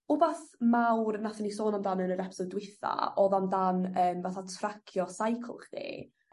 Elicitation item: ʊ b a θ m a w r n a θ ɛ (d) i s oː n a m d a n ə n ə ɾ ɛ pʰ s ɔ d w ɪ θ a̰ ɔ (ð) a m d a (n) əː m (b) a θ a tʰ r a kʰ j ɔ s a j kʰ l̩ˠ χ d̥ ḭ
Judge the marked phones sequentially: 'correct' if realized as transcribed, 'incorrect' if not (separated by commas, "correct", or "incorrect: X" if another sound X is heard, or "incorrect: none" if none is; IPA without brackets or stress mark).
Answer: incorrect: n, correct, correct, incorrect: v